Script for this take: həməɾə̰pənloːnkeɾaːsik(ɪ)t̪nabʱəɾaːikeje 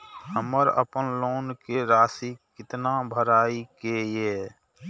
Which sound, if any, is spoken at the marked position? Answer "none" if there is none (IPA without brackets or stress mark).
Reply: ɪ